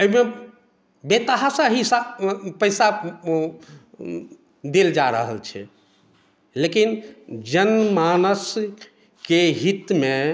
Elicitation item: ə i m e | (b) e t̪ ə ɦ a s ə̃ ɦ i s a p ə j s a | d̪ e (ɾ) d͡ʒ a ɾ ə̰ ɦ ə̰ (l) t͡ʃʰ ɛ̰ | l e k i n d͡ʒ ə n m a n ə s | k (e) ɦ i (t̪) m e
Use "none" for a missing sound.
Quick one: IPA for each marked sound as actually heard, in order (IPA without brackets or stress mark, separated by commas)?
b, l, l, e, t̪